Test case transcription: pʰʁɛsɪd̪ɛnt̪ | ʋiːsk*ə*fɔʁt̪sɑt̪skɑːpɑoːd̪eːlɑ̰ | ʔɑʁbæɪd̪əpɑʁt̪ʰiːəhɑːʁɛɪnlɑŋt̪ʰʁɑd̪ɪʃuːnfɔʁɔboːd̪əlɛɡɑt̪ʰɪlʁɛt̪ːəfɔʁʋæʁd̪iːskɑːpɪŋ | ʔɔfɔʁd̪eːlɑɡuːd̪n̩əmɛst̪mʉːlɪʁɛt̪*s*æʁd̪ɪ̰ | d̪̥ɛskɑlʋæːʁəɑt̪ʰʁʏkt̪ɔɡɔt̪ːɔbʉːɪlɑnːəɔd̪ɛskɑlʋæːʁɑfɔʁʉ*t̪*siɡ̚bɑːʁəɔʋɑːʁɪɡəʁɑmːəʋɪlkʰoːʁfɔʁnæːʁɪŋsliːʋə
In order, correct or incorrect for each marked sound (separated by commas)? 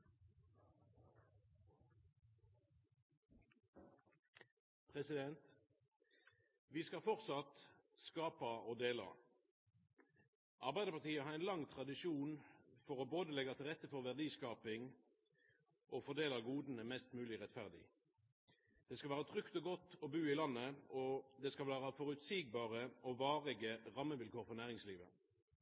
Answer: incorrect, incorrect, correct